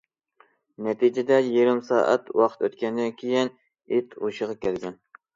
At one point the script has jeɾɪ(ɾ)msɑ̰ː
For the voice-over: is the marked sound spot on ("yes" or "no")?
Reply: no